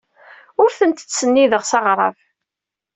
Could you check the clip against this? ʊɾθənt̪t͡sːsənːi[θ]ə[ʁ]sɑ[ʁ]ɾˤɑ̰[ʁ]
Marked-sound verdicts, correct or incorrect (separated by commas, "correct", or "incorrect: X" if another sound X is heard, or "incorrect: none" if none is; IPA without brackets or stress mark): incorrect: ð, correct, correct, incorrect: v